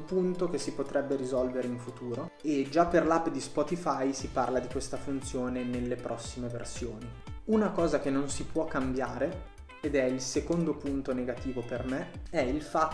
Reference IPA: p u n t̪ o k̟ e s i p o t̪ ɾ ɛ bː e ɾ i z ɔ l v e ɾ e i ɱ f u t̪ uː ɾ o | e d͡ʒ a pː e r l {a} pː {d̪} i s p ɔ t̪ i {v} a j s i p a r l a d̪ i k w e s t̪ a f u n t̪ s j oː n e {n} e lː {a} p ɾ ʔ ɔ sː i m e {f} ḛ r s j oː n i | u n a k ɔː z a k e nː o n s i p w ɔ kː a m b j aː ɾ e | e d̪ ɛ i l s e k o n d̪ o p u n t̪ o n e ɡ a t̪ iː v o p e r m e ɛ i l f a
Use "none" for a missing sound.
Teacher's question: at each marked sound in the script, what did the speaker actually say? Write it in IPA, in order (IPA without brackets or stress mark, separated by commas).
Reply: a, d̪, f, n, e, v